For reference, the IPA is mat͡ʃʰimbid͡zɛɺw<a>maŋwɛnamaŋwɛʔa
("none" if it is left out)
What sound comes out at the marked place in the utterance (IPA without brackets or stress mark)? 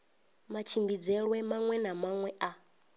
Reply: ɛ